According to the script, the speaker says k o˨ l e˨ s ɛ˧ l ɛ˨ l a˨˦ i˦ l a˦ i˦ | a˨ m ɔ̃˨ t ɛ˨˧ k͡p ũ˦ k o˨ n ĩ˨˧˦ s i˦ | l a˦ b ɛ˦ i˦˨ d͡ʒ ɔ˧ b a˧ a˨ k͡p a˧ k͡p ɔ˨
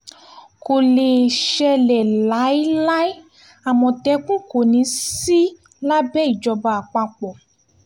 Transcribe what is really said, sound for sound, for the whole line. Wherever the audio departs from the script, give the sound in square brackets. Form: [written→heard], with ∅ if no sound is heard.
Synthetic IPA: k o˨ l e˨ [s→ʃ] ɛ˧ l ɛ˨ l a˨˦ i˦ l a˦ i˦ | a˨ m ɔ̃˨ t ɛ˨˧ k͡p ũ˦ k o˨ n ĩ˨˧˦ s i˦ | l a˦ b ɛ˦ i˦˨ d͡ʒ ɔ˧ b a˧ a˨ k͡p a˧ k͡p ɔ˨